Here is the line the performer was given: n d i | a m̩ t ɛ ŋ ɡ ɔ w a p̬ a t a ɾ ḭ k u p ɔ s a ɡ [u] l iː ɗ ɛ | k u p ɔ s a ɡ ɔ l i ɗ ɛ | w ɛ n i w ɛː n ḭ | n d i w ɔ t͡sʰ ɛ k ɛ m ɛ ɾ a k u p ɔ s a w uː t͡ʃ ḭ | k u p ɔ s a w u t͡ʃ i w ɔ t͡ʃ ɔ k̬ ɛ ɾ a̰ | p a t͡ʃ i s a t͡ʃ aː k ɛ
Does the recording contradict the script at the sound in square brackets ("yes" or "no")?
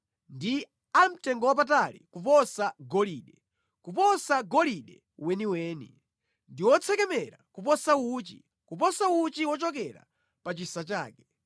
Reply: yes